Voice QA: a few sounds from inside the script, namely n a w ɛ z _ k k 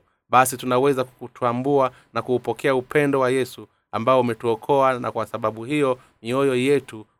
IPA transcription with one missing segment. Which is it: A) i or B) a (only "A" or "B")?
B